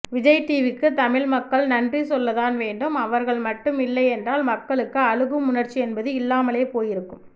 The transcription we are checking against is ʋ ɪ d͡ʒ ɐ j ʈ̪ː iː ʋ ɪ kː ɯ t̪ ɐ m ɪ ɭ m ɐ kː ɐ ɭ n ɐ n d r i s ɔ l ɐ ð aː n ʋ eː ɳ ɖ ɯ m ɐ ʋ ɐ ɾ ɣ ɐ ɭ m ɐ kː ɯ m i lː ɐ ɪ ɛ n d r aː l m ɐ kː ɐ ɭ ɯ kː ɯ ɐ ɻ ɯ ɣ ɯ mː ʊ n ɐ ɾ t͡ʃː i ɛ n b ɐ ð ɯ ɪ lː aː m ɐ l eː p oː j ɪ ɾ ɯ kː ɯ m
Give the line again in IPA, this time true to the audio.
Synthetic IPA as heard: ʋ ɪ d͡ʒ ɐ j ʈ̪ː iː ʋ ɪ kː ɯ t̪ ɐ m ɪ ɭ m ɐ kː ɐ ɭ n ɐ n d r i s ɔ lː ɐ ð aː n ʋ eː ɳ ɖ ɯ m ɐ ʋ ɐ ɾ ɣ ɐ ɭ m ɐ ʈː ɯ m ɪ lː ɐ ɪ ɛ n d r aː l m ɐ kː ɐ ɭ ɯ kː ɯ ɐ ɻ ɯ ɣ ɯ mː ʊ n ɐ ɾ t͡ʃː i ɛ n b ɐ ð ɯ ɪ lː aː m ɐ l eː p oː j ɪ ɾ ɯ kː ɯ m